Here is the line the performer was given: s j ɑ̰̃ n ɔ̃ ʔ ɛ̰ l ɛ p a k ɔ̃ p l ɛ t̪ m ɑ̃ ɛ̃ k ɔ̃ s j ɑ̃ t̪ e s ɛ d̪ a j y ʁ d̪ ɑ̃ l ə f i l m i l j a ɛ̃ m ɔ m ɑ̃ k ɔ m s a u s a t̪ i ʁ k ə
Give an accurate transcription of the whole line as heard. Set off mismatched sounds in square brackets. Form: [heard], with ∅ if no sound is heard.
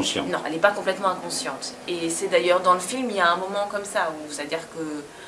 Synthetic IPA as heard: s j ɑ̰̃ n ɔ̃ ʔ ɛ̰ l ɛ p a k ɔ̃ p l ɛ t̪ m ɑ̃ ɛ̃ k ɔ̃ s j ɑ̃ t̪ e s ɛ d̪ a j [œ] ʁ d̪ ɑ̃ l ə f i l m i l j a ɛ̃ m ɔ m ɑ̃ k ɔ m s a u s a [d̪] i ʁ k ə